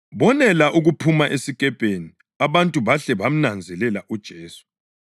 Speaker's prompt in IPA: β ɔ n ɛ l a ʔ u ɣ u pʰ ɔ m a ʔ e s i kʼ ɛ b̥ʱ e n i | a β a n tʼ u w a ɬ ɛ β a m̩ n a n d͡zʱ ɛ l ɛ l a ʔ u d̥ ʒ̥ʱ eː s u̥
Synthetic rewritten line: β ɔ n ɛ l a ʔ u ɣ u pʰ u m a ʔ e s i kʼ ɛ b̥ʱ e n i | a β a n tʼ u β a ɬ ɛ β a m̩ n a n d͡zʱ ɛ l ɛ l a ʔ u d̥ ʒ̥ʱ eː s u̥